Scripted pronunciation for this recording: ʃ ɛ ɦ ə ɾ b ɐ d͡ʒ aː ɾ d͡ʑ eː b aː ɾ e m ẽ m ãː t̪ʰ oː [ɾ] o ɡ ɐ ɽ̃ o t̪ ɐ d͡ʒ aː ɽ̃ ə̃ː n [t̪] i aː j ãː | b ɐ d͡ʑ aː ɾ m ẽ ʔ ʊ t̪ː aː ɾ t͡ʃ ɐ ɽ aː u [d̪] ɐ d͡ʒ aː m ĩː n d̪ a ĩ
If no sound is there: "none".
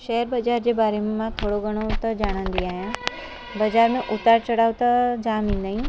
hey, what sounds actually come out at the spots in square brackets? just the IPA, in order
ɽ, d̪, t̪

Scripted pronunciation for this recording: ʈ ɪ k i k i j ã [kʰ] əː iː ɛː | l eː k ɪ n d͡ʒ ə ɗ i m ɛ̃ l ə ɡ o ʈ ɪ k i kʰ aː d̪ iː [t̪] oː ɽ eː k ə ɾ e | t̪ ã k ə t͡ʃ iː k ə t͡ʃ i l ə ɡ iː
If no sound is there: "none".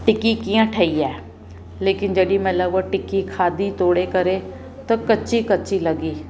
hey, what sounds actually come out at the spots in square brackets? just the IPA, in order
ʈʰ, t̪

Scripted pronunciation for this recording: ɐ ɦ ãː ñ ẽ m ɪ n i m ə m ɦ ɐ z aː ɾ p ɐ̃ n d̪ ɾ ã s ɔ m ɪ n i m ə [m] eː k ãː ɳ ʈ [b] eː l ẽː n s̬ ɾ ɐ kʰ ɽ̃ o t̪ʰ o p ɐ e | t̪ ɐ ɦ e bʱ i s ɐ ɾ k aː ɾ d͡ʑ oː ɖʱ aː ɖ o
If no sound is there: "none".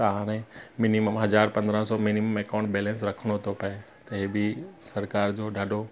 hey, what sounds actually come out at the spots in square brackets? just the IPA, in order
m, b

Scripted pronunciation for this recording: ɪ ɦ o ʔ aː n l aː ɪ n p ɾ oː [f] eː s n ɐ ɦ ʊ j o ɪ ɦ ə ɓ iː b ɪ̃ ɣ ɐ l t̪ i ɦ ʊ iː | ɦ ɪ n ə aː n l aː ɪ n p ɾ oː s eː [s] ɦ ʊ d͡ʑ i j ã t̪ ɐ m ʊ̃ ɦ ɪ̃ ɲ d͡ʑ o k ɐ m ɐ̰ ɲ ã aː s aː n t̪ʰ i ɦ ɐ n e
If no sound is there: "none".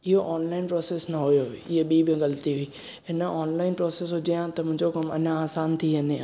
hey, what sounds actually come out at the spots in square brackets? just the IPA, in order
s, s

